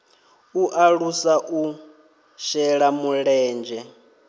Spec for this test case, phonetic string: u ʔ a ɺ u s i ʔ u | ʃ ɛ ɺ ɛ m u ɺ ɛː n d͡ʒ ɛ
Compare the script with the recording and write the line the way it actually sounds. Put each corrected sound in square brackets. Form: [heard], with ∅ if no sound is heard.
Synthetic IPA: u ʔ a ɺ u s [a] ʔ u | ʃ ɛ ɺ [a] m u ɺ ɛː n d͡ʒ ɛ